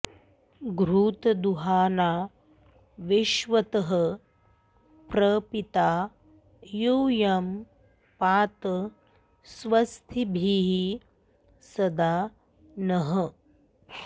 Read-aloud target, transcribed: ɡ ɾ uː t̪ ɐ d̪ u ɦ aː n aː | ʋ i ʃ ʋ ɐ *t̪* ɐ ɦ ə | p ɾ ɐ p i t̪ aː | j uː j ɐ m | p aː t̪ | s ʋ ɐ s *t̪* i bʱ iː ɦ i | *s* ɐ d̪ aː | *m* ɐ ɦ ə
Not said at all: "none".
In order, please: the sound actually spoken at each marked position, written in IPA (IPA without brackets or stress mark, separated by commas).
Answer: t̪, t̪ʰ, s, n